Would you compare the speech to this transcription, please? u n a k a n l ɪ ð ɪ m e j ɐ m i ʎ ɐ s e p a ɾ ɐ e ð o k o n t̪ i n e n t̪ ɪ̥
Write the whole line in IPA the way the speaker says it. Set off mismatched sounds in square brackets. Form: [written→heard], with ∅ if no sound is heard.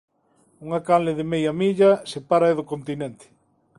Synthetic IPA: u [n→ŋ] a k a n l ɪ ð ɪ m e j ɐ m i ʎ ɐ s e p a ɾ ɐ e ð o k o n t̪ i n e n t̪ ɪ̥